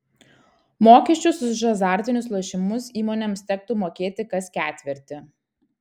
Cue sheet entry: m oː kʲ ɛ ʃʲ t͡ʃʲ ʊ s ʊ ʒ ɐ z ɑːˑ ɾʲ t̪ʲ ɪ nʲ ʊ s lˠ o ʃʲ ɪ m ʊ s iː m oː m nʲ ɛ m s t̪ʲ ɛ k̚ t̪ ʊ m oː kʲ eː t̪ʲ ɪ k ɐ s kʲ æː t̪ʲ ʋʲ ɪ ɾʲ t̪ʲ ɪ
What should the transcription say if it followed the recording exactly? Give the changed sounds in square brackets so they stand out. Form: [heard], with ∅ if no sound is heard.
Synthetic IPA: m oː kʲ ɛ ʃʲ t͡ʃʲ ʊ s ʊ ʒ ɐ z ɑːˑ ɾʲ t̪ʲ ɪ nʲ ʊ s lˠ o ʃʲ ɪ m ʊ s iː m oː [∅] nʲ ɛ m s t̪ʲ ɛ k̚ t̪ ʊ m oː kʲ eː t̪ʲ ɪ k ɐ s kʲ æː t̪ʲ ʋʲ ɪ ɾʲ t̪ʲ ɪ